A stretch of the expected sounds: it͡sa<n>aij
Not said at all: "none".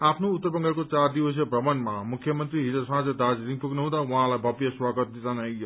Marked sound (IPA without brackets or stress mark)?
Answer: n